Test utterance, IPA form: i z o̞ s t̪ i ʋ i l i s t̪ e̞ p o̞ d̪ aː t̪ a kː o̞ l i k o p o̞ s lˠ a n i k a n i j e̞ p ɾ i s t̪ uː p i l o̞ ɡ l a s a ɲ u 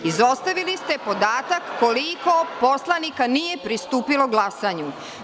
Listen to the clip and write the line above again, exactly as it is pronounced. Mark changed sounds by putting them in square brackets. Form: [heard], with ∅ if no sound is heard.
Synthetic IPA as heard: i z o̞ s t̪ [a] ʋ i l i s t̪ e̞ p o̞ d̪ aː t̪ a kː o̞ l i k o p o̞ s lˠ a n i k a n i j e̞ p ɾ i s t̪ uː p i l o̞ ɡ l a s a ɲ u

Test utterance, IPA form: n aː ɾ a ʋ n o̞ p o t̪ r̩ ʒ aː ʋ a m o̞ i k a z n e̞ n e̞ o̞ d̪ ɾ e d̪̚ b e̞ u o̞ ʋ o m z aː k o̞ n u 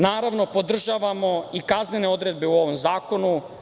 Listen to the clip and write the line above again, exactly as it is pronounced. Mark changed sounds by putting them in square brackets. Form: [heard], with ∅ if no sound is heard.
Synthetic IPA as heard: n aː ɾ a ʋ n o̞ p o [d̪] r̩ ʒ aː ʋ a m o̞ i k a z n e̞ n e̞ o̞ d̪ ɾ e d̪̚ b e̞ u o̞ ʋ o m z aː k o̞ n u

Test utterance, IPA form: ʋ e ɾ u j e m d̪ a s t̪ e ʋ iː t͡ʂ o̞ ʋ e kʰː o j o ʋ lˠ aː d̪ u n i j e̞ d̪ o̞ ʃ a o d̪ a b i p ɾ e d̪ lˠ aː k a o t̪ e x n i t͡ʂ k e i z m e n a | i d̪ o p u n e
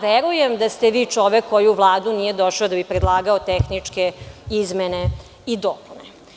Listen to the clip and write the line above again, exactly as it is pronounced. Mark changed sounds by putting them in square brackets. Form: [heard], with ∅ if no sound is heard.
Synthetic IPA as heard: ʋ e ɾ u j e m d̪ a s t̪ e ʋ iː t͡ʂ o̞ ʋ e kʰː o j [u] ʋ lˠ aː d̪ u n i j e̞ d̪ o̞ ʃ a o d̪ a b i p ɾ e d̪ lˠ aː [ɡ] a o t̪ e x n i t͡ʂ k e i z m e n [e] | i d̪ o p u n e

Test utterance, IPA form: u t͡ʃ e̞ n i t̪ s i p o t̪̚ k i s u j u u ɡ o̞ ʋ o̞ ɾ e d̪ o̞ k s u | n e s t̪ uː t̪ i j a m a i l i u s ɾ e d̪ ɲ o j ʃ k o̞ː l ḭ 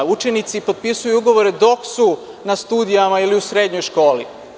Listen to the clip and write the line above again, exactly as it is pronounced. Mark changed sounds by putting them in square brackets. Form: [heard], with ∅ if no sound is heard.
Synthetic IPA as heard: u t͡ʃ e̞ n i t̪ s i p o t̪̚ [p] i s u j u u ɡ o̞ ʋ o̞ ɾ e d̪ o̞ k s u | n [a] s t̪ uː [d̪] i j a m a i l i u s ɾ e d̪ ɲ o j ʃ k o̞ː l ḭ

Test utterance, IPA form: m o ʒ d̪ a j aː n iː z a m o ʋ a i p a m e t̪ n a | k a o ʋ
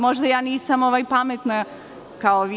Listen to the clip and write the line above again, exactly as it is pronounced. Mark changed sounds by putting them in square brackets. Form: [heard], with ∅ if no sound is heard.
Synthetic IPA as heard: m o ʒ d̪ a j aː n iː [s] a m o ʋ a [j] p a m e t̪ n a | k a o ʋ

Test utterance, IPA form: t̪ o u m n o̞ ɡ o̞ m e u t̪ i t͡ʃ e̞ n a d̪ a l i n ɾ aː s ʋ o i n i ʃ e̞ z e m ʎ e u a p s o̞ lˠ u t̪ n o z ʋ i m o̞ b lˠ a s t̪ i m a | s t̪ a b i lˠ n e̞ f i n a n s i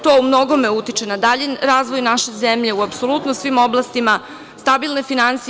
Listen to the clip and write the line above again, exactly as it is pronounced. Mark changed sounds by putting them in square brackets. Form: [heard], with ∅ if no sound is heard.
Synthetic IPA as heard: t̪ o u m n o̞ ɡ o̞ m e u t̪ i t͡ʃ e̞ n a d̪ a [ʎ] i n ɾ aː [z] ʋ o [j] n [a] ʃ e̞ z e m ʎ e u a p s o̞ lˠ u t̪ n o [s] ʋ i m o̞ b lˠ a s t̪ i m a | s t̪ a b i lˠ n e̞ f i n a n s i

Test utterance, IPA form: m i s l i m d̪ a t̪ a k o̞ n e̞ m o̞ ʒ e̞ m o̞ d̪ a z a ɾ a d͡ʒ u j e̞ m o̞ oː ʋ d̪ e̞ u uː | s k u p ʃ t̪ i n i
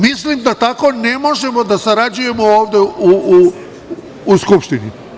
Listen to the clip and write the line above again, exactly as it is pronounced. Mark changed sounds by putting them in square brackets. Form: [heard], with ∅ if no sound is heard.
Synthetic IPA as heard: m i s l i m d̪ a t̪ a k o̞ n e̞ m o̞ ʒ e̞ m o̞ d̪ a [s] a ɾ a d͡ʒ u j e̞ m o̞ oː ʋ d̪ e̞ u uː | s k u p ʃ t̪ i n i

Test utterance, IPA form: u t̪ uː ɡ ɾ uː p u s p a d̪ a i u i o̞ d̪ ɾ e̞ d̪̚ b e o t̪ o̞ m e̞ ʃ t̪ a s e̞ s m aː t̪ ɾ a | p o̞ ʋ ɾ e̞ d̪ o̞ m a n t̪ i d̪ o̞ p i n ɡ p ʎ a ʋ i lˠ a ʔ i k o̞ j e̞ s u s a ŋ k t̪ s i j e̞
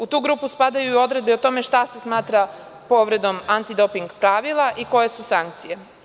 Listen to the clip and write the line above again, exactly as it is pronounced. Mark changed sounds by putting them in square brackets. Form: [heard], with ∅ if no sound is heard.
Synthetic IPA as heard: u t̪ uː ɡ ɾ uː p u s p a d̪ a [j] u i o̞ d̪ ɾ e̞ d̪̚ b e o t̪ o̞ m e̞ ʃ t̪ a s e̞ s m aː t̪ ɾ a | p o̞ ʋ ɾ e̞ d̪ o̞ m a n t̪ i d̪ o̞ p i [ŋ] ɡ p [ɾ] a ʋ i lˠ a ʔ i k o̞ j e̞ s u s a ŋ k t̪ s i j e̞

